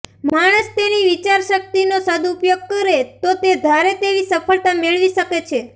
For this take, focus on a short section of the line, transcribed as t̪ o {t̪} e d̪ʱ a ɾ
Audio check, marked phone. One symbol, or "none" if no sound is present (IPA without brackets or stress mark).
t̪